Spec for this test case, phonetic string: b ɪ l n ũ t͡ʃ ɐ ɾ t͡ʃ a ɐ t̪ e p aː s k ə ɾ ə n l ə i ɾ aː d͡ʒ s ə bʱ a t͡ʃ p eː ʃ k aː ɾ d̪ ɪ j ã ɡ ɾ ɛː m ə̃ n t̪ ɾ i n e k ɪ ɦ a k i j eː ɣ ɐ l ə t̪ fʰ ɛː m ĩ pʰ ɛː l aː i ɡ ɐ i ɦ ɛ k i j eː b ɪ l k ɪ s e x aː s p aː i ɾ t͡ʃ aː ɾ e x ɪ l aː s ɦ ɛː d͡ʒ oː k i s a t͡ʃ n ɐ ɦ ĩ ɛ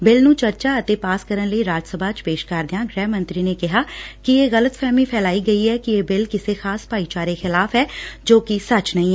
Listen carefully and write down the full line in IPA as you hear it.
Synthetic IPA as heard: b ɪ l n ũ t͡ʃ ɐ ɾ t͡ʃ a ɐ t̪ e p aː s k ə ɾ ə n l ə i ɾ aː d͡ʒ s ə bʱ a t͡ʃ p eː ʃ k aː ɾ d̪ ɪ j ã ɡ ɾ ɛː m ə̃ n t̪ ɾ i n e k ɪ ɦ a k i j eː ɣ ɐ l ə t̪ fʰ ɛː m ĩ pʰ ɛː l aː i ɡ ɐ i ɦ ɛ k i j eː b ɪ l k ɪ s e x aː s p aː i t͡ʃ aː ɾ e x ɪ l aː f ɦ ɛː d͡ʒ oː k i s ɐ t͡ʃ n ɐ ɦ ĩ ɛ